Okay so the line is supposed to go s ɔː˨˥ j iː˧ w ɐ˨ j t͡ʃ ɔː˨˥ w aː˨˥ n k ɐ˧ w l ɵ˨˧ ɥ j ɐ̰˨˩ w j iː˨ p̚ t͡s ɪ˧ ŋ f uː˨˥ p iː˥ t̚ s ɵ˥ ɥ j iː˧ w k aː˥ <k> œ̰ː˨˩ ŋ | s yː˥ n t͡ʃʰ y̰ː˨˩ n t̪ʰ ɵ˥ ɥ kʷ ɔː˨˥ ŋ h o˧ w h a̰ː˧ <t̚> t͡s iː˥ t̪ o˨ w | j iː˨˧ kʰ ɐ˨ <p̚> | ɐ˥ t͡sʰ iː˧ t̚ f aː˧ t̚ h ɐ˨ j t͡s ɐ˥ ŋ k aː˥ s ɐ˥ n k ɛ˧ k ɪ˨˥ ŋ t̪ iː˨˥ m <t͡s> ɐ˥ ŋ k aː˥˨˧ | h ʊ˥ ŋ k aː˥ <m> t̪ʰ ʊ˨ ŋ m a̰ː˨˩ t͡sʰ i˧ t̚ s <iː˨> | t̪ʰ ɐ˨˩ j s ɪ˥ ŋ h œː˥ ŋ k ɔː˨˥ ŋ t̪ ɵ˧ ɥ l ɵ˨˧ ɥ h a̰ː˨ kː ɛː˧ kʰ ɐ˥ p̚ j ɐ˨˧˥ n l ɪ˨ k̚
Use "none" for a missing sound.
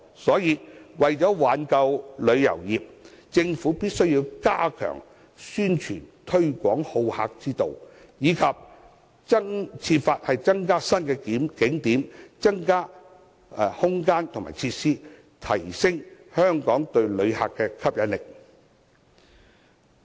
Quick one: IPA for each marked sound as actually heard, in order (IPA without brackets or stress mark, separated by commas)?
kʰ, k̚, p̚, t͡s, n, iː˥